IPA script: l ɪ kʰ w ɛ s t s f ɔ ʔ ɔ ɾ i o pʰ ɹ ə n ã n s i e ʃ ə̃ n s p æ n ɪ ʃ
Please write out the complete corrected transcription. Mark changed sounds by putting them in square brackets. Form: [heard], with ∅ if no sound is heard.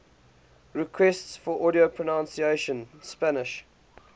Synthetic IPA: [ɹ] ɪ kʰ w ɛ s t s f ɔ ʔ ɔ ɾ i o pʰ ɹ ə n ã n s i e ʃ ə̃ n s p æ n ɪ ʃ